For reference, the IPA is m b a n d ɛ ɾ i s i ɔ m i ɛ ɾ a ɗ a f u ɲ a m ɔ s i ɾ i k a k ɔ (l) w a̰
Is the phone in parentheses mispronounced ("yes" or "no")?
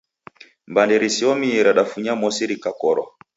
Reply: yes